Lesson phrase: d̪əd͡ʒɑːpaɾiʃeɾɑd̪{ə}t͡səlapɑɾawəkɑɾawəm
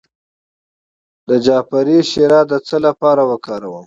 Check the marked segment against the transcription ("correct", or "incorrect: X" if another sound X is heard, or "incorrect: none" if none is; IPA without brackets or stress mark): correct